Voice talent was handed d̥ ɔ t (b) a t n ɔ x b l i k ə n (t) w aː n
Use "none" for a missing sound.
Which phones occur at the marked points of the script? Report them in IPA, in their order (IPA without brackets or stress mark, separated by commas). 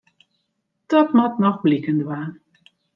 m, d